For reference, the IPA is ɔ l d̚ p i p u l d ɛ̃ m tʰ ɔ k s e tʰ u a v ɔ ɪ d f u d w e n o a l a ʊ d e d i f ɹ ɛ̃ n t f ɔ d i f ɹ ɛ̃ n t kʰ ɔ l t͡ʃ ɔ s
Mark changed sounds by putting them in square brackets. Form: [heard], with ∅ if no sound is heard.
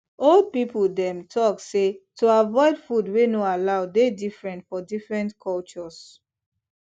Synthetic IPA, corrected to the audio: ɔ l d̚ p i p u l d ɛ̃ m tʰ ɔ k s e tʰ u a v ɔ ɪ d f u d w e n o a l a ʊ d e d i f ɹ ɛ̃ n t f ɔ d i f ɹ ɛ̃ n t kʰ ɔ l t͡ʃ ɔ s